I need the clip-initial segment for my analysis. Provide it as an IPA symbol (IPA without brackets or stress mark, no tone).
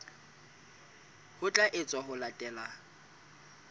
h